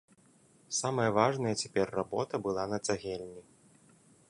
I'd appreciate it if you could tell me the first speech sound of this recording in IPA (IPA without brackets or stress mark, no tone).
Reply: s